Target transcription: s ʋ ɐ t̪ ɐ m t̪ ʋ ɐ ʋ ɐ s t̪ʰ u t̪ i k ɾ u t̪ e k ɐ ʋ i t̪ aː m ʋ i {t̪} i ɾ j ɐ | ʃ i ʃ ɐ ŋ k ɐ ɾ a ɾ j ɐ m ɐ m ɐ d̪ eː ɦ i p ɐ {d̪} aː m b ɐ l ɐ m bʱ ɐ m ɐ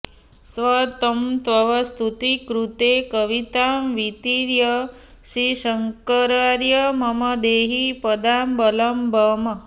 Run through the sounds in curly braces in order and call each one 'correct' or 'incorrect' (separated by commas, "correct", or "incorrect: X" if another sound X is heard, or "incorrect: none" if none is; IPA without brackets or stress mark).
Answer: correct, correct